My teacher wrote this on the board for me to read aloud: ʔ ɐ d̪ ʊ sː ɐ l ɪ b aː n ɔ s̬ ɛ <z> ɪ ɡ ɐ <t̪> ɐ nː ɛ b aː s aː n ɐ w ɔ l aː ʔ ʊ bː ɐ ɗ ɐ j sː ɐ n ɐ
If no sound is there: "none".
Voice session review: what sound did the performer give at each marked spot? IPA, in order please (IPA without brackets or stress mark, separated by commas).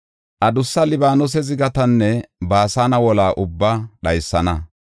z, t̪